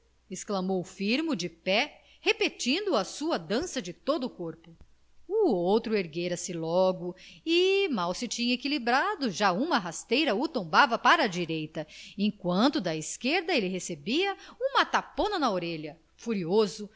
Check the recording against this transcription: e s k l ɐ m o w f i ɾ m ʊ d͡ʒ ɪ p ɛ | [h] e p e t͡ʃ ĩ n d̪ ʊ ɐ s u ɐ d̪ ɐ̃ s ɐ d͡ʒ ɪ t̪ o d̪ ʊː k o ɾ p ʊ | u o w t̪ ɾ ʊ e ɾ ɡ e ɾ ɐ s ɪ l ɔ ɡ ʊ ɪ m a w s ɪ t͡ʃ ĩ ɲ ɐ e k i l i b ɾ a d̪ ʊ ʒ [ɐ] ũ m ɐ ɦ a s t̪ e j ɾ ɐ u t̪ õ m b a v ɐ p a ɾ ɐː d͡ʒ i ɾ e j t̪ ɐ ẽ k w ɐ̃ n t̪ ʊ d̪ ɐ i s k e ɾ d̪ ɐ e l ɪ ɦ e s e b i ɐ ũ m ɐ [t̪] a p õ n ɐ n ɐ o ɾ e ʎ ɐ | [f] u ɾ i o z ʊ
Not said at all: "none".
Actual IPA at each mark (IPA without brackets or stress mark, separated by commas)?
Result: h, a, t̪, f